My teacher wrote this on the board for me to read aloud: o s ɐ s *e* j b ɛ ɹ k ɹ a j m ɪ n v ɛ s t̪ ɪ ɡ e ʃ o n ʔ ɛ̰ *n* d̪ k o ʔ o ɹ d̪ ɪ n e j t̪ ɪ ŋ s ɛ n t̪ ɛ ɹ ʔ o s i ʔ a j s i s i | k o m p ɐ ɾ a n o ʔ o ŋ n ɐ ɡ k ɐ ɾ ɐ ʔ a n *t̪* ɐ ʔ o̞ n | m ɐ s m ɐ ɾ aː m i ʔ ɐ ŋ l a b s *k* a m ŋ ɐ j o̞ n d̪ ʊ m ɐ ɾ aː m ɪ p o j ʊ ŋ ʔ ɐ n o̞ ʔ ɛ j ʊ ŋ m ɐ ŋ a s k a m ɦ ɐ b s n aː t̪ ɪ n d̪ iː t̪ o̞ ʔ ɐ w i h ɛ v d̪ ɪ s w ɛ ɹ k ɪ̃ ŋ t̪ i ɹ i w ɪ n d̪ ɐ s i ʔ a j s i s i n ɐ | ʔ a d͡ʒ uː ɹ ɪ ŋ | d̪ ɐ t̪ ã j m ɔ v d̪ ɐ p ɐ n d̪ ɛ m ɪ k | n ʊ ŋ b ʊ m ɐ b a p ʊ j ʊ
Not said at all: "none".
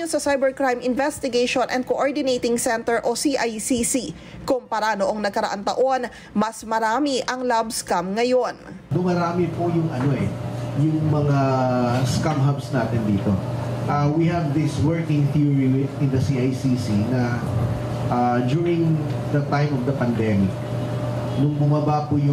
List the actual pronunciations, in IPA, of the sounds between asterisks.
a, n, t̪, k

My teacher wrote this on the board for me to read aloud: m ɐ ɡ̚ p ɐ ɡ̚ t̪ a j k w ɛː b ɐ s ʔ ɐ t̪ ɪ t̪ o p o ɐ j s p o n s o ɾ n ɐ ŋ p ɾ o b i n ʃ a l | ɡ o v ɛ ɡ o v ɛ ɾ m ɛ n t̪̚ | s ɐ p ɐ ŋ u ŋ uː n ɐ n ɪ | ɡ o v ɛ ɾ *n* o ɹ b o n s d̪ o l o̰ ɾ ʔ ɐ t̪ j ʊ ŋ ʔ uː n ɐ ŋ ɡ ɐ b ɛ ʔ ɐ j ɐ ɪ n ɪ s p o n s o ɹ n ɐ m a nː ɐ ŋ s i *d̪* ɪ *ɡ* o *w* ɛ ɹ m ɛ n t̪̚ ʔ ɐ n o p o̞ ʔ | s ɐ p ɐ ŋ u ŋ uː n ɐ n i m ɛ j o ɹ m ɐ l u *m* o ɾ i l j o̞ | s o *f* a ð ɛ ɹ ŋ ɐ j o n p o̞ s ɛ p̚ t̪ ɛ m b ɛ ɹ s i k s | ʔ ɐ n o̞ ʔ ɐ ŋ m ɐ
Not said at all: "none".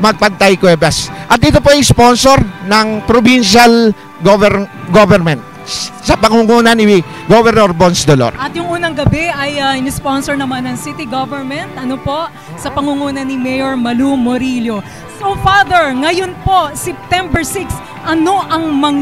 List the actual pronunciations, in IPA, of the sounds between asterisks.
n, t̪, ɡ, v, m, f

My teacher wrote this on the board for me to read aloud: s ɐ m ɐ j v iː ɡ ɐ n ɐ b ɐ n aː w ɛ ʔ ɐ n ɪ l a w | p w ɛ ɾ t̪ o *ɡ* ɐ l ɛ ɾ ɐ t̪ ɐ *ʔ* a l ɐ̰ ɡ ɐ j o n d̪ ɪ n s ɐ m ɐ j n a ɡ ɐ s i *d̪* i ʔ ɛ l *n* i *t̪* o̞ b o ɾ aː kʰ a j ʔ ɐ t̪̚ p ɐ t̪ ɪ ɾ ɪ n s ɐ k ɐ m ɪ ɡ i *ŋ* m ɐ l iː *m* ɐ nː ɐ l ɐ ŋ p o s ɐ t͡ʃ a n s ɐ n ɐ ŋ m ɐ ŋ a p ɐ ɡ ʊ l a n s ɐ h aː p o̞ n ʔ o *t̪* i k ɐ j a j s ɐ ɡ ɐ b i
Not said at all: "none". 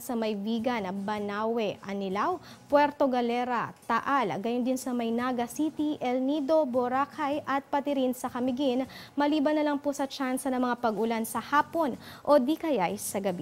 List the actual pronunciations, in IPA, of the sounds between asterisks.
ɡ, ʔ, t̪, n, d̪, n, b, d̪

